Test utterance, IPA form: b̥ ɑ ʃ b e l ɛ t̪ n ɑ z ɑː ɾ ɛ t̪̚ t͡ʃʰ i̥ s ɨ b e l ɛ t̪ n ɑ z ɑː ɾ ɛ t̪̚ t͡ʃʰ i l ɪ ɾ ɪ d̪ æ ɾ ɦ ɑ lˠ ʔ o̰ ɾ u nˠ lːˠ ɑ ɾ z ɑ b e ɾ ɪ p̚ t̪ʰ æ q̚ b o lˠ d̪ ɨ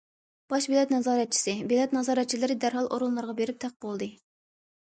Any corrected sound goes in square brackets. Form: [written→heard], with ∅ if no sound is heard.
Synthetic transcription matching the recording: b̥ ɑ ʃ b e l ɛ t̪ n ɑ z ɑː ɾ ɛ t̪̚ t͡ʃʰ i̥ s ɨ b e l ɛ t̪ n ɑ z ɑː ɾ ɛ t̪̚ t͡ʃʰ i l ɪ ɾ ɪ d̪ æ ɾ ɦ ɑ lˠ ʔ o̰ ɾ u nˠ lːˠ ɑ ɾ [z→ʁ] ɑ b e ɾ ɪ p̚ t̪ʰ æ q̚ b o lˠ d̪ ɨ